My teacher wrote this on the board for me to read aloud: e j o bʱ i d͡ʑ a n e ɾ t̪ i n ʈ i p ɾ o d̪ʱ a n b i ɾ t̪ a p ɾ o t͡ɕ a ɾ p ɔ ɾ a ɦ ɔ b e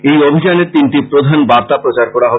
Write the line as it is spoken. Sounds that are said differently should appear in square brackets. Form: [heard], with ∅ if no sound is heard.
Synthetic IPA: e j o bʱ i d͡ʑ a n e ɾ t̪ i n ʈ i p ɾ o d̪ʱ a n b [a] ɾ t̪ a p ɾ o t͡ɕ a ɾ [k] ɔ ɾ a ɦ ɔ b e